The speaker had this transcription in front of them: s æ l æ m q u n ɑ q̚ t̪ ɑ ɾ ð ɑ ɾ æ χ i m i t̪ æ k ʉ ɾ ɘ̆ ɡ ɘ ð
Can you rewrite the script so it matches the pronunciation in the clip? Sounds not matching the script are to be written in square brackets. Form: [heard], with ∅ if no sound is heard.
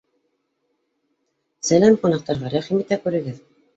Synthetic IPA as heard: s æ l æ m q u n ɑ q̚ t̪ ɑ ɾ [ʁ] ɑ ɾ æ χ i m i t̪ æ k ʉ ɾ ɘ̆ ɡ ɘ ð